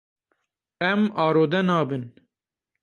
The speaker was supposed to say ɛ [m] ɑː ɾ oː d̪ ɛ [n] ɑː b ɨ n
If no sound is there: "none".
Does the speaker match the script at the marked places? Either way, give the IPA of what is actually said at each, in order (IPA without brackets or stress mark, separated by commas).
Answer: m, n